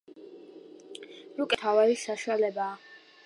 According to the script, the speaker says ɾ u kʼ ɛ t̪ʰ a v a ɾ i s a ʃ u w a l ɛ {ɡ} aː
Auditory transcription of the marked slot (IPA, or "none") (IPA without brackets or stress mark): b